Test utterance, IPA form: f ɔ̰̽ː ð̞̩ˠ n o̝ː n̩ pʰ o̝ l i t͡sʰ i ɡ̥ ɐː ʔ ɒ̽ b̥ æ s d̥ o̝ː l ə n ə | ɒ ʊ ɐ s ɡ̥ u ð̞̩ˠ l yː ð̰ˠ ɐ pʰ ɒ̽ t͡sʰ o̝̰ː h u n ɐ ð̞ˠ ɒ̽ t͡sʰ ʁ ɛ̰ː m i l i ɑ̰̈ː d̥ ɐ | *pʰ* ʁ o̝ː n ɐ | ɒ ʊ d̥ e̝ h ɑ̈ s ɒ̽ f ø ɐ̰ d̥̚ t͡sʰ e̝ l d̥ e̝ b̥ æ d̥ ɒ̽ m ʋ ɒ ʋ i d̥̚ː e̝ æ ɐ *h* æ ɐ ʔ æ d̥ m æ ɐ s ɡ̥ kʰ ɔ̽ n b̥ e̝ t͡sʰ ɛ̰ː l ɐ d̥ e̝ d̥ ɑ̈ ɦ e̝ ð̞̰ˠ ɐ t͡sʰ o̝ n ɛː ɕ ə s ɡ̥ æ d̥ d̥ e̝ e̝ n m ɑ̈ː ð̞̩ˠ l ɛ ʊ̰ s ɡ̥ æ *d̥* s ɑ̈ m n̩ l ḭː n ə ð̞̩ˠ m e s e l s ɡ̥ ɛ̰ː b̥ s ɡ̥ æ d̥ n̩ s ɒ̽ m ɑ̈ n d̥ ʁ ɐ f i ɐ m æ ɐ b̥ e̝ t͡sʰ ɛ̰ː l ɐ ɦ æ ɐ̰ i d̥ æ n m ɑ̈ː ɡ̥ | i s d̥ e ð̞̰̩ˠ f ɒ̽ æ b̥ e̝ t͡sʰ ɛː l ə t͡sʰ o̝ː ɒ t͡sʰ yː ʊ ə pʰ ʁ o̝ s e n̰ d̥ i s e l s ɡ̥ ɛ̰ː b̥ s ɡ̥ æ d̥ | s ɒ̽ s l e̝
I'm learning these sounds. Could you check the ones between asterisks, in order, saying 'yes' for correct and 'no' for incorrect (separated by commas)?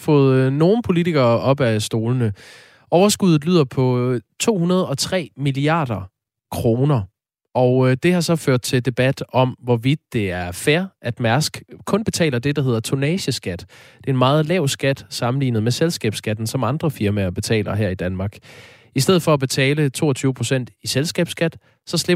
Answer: no, no, yes